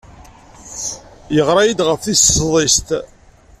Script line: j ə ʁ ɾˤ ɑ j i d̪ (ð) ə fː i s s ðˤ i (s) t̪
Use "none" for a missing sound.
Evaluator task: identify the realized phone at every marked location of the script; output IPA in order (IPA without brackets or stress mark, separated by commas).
ʁ, s